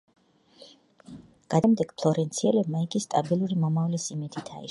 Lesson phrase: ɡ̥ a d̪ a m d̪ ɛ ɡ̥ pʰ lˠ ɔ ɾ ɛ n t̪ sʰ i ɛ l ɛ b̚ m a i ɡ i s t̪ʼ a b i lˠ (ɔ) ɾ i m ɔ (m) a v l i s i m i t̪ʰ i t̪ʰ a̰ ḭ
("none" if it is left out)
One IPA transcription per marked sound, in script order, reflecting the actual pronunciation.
u, m

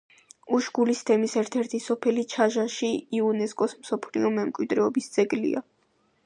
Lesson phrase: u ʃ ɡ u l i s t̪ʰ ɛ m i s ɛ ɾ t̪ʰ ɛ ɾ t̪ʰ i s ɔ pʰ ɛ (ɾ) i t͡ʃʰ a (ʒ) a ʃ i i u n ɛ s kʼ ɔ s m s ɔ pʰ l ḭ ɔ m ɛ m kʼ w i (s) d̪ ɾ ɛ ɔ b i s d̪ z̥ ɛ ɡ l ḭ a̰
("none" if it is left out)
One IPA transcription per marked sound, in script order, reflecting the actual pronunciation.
l, ʒ, none

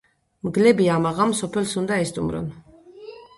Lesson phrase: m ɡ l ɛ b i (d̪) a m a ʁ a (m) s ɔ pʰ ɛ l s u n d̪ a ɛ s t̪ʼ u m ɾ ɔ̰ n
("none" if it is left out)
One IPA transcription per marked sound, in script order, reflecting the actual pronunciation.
none, m

